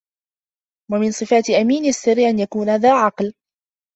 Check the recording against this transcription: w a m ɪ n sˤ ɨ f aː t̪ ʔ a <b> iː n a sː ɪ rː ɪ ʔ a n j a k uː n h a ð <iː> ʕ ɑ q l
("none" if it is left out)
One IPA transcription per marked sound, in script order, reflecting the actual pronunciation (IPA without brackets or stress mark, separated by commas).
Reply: m, aː